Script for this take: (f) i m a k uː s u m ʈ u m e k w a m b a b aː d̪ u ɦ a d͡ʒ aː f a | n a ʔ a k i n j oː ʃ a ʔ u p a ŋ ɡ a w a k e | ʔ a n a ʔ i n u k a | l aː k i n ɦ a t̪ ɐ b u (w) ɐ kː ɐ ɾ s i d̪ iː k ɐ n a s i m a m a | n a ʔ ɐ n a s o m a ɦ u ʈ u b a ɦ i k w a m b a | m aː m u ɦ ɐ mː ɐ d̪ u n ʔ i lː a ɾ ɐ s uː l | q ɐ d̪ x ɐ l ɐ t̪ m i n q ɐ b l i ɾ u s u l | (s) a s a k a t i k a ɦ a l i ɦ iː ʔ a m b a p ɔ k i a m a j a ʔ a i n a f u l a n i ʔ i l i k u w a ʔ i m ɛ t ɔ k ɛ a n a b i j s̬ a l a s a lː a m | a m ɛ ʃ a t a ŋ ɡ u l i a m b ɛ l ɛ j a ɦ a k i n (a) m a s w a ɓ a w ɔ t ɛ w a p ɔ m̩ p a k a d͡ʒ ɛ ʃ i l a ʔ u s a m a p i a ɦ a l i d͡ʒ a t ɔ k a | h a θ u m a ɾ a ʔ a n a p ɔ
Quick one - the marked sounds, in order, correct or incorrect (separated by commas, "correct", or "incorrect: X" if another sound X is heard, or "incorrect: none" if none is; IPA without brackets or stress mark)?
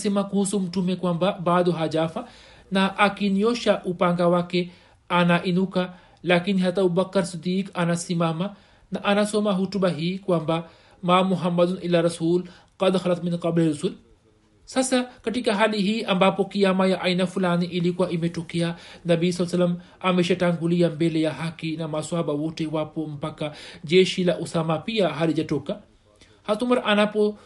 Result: incorrect: s, incorrect: b, correct, correct